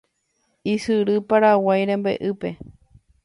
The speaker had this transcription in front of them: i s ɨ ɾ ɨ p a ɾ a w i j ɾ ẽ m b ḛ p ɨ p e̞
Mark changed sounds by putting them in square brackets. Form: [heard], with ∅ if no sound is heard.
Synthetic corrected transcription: i s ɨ ɾ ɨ p a ɾ a w [a] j ɾ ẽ m b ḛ [ʔ] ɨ p e̞

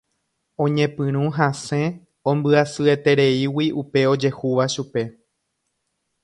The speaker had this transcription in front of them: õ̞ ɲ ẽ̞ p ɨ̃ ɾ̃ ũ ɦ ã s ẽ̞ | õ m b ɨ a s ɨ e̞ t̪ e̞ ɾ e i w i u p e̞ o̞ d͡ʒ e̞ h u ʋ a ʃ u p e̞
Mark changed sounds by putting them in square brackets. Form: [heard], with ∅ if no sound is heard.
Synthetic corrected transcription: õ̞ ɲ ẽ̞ p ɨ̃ ɾ̃ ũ ɦ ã s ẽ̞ | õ m b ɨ a s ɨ e̞ t̪ e̞ ɾ e i w i u p e̞ o̞ d͡ʒ e̞ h u ʋ a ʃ u p e̞

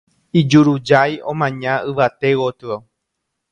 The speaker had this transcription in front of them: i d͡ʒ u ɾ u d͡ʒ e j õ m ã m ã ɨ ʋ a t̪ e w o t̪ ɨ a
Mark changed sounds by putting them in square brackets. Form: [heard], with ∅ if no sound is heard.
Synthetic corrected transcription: i d͡ʒ u ɾ u d͡ʒ [a] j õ m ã [ɲ] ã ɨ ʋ a t̪ e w o t̪ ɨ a

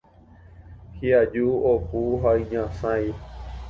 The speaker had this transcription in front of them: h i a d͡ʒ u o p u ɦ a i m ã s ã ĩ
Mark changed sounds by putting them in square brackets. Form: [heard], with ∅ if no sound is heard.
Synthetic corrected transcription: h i a d͡ʒ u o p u ɦ a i [ɲ] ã s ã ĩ

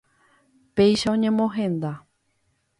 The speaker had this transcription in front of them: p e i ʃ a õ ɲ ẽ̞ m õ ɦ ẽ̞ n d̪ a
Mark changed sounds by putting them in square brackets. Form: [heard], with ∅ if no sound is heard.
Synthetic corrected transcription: p e [j] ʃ a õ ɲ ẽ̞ m õ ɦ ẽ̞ n d̪ a

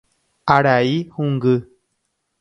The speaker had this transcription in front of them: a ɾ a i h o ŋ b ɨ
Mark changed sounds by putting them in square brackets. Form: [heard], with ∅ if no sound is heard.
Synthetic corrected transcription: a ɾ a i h [u] ŋ [ɡ] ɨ

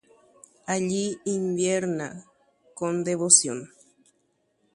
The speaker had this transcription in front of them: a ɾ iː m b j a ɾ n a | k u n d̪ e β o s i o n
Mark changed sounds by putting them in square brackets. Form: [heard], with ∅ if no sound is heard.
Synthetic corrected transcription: a [ʎ] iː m b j [e] ɾ n a | k [o] n d̪ e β o s [j] o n

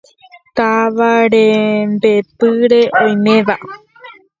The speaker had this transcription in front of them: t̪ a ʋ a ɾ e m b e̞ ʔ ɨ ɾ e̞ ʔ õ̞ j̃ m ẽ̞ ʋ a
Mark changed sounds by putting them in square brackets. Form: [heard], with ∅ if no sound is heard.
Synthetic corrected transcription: t̪ a ʋ a ɾ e m b e̞ [p] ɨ ɾ e̞ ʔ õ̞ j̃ m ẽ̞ ʋ a

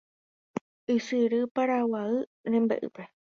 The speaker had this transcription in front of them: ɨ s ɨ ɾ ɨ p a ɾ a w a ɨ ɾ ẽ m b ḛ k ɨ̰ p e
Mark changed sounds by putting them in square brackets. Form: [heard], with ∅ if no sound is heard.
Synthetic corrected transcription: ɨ s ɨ ɾ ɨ p a ɾ a w a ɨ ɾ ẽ m b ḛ [ʔ] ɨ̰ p e

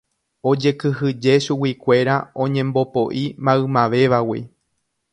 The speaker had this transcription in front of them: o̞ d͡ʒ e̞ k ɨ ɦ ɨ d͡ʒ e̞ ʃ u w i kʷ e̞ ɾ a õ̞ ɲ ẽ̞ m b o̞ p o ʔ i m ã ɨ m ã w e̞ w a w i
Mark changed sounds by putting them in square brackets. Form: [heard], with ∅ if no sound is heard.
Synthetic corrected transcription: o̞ d͡ʒ e̞ k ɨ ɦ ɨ d͡ʒ e̞ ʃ u w i kʷ e̞ ɾ a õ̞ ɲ ẽ̞ m b o̞ p o ʔ i m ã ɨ m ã [ʋ] e̞ [ʋ] a w i

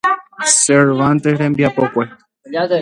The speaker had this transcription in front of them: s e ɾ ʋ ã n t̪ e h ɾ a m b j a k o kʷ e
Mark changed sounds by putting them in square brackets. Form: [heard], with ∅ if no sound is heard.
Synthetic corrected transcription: s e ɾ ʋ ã n t̪ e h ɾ [e] m b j a [p] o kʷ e

